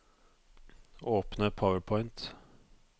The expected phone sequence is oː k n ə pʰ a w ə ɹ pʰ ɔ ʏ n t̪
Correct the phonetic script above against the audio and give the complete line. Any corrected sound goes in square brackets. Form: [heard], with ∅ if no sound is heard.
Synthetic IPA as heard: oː [p] n ə pʰ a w ə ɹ pʰ ɔ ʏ n t̪